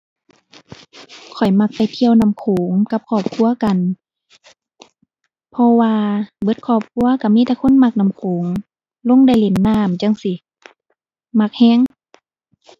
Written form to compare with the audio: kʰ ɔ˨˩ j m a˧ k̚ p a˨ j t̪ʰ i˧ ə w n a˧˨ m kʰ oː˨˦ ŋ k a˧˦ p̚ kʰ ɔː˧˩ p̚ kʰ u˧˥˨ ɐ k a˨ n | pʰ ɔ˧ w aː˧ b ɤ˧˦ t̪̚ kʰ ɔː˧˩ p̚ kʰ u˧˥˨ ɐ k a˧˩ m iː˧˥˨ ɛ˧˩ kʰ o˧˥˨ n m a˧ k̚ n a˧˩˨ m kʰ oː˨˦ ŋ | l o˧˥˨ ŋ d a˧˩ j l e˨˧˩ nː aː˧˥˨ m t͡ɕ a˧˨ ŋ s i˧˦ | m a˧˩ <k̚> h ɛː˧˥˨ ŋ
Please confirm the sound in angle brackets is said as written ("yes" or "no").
yes